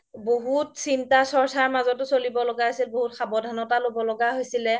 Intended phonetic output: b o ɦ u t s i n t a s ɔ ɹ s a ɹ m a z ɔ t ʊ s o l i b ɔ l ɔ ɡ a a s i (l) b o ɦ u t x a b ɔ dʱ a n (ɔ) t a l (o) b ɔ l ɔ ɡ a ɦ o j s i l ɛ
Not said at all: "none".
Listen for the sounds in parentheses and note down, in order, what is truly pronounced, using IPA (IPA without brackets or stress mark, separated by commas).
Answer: l, ɔ, o